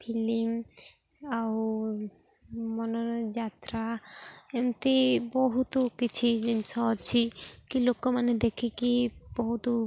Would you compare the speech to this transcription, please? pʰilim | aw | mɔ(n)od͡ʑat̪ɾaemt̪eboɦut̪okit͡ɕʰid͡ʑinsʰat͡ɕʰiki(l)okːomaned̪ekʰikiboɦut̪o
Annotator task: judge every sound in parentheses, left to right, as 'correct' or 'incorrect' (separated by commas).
correct, correct